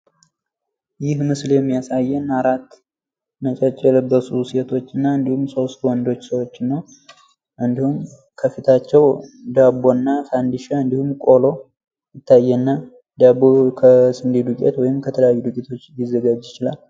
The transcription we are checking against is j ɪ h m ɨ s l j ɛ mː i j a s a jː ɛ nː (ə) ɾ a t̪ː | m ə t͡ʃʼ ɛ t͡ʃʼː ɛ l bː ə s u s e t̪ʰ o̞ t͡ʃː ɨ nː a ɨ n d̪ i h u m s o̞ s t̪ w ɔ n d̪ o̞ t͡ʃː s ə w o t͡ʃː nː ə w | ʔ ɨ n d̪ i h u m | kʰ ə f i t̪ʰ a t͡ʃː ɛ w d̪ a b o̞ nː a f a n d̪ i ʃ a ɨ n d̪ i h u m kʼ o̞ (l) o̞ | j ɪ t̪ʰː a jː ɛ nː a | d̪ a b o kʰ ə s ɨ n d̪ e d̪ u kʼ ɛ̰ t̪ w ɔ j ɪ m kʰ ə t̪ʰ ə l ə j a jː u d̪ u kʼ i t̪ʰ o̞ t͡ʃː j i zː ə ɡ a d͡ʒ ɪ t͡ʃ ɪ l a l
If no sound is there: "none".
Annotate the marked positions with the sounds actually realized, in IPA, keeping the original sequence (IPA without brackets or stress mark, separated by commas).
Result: a, l